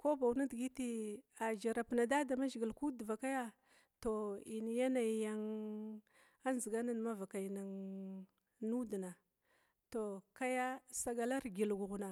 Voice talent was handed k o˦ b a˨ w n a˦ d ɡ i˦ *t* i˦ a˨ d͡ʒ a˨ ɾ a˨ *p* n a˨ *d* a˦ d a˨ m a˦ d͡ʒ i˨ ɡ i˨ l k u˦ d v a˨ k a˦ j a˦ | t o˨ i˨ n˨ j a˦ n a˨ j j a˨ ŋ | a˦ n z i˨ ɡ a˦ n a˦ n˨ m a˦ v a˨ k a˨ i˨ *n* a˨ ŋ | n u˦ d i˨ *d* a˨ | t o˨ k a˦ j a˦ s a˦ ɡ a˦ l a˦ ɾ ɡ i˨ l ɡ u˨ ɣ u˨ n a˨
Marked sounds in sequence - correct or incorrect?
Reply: correct, correct, correct, correct, incorrect

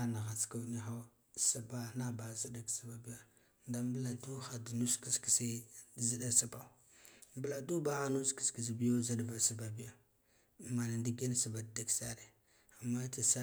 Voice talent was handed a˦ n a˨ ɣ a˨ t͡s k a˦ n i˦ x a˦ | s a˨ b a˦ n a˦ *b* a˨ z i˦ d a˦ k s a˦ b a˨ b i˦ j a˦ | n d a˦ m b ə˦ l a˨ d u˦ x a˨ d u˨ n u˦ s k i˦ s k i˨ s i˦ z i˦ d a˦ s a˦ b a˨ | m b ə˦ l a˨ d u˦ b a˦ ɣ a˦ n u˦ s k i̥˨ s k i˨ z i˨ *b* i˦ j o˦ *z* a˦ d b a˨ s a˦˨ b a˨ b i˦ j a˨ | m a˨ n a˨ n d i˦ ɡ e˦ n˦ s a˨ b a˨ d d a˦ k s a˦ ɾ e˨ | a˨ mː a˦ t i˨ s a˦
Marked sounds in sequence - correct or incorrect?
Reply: correct, correct, correct

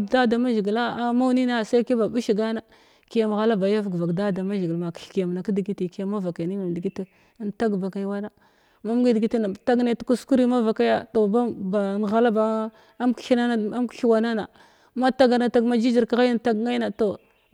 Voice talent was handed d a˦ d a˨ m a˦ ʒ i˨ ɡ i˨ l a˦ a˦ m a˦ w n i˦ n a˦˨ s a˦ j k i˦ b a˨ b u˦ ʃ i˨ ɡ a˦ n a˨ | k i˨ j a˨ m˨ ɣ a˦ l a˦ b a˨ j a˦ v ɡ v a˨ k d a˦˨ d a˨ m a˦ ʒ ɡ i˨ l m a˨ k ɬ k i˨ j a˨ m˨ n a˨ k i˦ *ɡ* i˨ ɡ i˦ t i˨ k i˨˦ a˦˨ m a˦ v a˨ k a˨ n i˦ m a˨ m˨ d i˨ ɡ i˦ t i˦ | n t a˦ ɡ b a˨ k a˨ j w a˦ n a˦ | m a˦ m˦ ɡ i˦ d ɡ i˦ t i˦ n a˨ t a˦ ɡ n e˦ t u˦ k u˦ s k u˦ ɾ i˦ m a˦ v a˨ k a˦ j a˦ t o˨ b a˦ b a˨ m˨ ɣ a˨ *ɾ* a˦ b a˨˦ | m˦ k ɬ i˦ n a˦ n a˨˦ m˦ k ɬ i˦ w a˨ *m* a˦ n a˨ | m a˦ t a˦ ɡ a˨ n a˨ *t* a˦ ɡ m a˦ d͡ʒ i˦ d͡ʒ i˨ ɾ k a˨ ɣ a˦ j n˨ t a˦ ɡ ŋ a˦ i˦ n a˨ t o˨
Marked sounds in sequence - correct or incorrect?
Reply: incorrect, incorrect, incorrect, correct

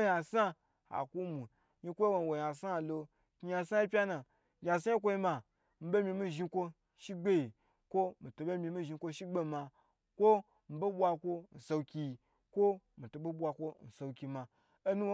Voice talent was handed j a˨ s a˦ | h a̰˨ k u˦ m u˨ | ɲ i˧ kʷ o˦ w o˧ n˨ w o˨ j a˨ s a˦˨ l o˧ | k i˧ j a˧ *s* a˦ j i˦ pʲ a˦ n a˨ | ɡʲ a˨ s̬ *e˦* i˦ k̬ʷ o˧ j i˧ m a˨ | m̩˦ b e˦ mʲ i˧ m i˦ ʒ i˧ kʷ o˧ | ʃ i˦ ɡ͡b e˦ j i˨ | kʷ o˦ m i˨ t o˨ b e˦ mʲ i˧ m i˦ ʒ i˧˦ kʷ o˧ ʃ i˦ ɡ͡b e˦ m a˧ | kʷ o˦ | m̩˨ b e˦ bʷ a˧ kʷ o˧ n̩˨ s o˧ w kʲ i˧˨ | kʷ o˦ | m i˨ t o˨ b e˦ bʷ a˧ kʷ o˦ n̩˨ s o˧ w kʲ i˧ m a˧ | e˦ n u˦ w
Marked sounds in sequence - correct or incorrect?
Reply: correct, incorrect

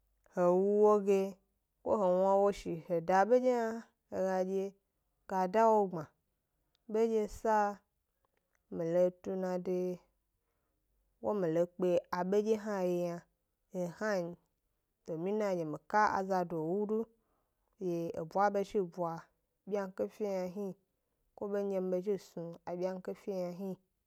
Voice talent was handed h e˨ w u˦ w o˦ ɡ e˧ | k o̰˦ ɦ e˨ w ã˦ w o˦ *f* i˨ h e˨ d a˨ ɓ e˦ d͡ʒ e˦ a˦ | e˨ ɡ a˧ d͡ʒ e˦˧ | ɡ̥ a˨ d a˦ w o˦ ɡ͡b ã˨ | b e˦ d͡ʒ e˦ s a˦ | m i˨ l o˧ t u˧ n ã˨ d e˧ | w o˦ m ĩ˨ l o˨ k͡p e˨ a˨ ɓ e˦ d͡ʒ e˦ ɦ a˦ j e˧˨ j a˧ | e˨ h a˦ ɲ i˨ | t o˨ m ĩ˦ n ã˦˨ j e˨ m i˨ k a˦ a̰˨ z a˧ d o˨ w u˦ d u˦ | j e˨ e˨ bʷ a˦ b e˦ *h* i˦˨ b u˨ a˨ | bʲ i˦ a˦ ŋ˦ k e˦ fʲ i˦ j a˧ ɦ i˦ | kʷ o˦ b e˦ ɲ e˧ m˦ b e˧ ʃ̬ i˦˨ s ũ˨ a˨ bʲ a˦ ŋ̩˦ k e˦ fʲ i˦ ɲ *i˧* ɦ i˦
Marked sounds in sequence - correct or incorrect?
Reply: incorrect, incorrect, incorrect

